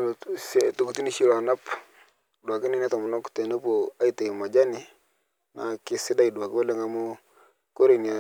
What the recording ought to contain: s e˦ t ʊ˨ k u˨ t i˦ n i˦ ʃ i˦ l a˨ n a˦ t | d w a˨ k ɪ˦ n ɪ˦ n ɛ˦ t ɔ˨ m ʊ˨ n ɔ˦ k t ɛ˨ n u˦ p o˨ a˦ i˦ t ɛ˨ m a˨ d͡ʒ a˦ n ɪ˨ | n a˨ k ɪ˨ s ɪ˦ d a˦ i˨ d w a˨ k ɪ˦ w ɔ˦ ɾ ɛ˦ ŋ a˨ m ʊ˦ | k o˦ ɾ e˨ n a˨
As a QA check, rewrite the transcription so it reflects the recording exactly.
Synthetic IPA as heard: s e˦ t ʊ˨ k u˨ t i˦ n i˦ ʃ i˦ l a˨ n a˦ p | d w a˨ k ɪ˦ n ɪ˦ n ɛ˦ t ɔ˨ m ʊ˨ n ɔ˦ k t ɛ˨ n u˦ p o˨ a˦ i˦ t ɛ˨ m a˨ d͡ʒ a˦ n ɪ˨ | n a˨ k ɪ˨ s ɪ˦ d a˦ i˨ d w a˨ k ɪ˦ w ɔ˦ l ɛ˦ ŋ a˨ m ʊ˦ | k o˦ ɾ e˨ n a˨